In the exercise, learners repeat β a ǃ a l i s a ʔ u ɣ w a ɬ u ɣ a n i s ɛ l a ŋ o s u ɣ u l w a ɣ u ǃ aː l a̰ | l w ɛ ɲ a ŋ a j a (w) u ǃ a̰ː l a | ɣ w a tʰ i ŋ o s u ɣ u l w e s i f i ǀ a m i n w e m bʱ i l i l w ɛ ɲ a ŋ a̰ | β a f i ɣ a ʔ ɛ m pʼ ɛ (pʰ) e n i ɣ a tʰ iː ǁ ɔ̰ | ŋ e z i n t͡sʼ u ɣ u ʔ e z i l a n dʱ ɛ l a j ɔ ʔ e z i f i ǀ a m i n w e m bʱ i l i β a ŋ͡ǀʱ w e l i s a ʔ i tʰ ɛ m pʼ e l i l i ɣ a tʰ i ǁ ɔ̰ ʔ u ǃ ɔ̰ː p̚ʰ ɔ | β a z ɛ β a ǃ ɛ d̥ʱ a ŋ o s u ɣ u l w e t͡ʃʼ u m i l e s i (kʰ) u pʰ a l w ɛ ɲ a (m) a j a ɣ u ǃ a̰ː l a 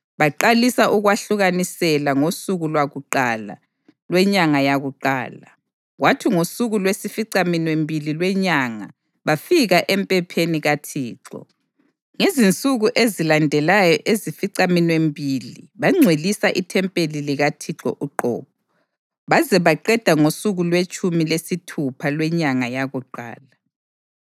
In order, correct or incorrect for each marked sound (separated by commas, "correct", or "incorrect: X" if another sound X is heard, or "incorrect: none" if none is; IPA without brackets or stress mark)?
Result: incorrect: ɣ, correct, incorrect: tʰ, incorrect: ŋ